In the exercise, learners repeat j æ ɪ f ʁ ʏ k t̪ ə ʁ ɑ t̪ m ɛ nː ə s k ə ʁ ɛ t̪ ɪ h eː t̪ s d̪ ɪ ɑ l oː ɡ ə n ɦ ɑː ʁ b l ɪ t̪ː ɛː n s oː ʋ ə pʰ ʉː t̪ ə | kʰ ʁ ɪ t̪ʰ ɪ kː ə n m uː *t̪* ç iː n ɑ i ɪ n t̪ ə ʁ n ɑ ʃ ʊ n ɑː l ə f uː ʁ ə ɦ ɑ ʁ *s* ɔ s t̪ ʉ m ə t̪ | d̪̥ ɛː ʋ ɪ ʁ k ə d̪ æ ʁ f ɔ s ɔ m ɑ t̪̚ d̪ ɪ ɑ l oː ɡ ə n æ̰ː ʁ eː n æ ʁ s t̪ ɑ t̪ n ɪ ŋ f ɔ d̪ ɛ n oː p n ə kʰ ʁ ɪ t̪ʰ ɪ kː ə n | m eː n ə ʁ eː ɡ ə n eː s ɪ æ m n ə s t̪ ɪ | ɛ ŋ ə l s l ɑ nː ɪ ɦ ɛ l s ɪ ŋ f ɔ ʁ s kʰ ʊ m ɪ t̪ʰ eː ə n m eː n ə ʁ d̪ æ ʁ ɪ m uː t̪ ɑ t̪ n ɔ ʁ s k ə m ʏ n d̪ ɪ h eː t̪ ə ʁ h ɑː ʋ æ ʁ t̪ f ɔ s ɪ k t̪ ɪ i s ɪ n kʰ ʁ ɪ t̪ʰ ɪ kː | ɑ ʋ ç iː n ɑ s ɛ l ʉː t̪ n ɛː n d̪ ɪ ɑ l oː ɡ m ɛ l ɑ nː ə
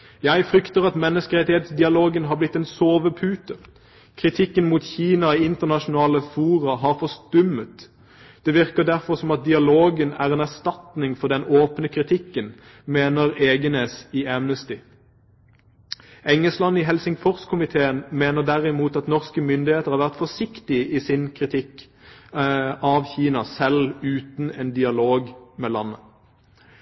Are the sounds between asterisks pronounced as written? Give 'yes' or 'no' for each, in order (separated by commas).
yes, no